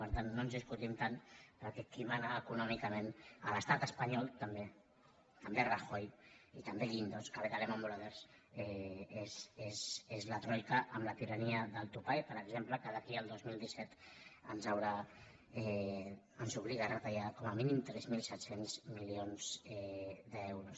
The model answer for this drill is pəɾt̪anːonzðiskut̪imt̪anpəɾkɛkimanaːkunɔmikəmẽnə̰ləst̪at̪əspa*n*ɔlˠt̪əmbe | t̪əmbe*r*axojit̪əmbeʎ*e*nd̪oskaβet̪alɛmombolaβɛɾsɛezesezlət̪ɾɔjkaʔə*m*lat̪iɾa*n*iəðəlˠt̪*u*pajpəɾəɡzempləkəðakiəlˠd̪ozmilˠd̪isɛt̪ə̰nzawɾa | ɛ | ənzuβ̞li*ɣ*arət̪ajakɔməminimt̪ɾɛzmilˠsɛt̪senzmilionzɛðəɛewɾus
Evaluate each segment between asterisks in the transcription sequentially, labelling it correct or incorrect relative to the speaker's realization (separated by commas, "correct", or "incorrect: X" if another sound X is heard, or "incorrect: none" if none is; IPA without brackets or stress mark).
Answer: incorrect: ɲ, correct, incorrect: i, correct, correct, correct, correct